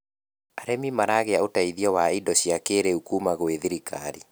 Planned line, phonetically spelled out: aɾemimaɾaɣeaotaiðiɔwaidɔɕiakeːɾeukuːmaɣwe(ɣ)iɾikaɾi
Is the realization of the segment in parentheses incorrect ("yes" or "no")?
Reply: yes